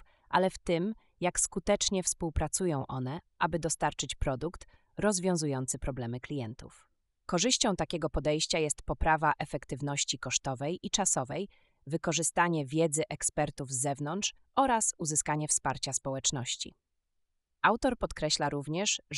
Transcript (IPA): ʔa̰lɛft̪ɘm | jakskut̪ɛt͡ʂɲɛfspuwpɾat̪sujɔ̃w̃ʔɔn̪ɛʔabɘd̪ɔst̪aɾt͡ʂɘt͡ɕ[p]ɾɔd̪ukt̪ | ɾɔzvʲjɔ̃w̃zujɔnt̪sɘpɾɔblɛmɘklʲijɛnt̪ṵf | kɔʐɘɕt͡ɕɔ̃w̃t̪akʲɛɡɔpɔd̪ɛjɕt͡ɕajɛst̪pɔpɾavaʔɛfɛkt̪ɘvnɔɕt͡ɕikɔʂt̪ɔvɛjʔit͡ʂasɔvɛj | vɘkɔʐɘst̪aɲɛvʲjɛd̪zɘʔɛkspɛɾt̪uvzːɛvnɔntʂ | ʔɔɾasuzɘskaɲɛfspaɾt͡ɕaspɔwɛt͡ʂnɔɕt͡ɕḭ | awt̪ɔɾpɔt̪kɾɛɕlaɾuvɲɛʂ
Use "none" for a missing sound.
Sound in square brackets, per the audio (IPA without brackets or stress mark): p